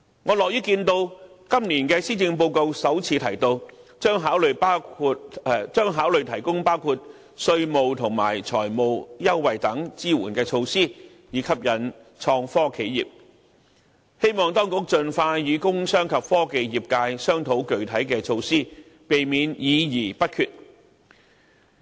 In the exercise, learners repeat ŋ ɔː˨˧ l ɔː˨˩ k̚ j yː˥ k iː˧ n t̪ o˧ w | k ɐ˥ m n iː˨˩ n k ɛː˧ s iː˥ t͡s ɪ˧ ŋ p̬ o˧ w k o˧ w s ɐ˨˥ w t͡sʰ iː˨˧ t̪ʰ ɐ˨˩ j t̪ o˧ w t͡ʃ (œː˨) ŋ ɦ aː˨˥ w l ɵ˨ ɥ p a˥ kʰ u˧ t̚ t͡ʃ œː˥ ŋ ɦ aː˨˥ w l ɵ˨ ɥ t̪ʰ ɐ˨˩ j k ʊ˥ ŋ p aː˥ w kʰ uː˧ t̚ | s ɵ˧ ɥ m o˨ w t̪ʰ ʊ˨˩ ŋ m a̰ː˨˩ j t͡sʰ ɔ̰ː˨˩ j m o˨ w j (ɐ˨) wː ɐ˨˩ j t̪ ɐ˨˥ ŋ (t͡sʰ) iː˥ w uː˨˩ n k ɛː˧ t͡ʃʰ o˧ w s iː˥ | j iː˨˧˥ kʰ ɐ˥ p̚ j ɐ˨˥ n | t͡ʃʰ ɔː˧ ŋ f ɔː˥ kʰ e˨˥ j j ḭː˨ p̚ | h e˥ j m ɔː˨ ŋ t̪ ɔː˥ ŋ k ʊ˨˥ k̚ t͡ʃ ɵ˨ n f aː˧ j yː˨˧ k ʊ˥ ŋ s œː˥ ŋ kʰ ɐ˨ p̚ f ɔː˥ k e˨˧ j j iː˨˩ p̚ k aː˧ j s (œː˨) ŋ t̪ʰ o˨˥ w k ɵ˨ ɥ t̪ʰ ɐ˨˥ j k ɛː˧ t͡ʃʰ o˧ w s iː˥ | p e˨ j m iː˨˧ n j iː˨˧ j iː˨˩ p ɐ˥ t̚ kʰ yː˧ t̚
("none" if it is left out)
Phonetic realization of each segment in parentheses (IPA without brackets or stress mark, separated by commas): œː˥, ɐ˥, t͡s, œː˥